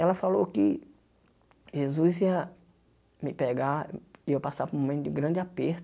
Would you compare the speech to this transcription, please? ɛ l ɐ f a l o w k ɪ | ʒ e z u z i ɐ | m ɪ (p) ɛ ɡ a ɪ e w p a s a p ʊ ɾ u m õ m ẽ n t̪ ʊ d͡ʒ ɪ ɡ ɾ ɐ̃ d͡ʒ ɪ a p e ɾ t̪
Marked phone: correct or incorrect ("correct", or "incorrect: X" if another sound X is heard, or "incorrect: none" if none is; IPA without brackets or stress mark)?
correct